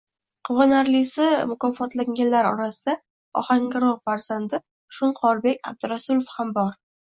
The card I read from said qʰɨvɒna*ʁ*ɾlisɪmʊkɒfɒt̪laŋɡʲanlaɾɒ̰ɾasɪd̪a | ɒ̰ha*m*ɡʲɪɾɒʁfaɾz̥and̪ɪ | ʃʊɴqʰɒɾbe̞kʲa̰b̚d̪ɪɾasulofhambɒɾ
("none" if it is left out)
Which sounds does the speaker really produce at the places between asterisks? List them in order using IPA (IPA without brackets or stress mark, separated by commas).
none, ŋ